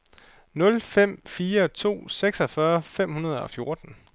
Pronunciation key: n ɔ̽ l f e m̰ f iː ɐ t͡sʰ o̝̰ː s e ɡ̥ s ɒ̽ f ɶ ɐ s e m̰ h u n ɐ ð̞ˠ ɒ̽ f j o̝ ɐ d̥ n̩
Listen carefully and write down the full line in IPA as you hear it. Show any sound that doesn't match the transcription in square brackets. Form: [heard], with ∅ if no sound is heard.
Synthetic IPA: n ɔ̽ l f e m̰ f iː ɐ t͡sʰ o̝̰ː s e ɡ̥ s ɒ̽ f ɶ ɐ [f] e m̰ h u n ɐ ð̞ˠ ɒ̽ f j o̝ ɐ d̥ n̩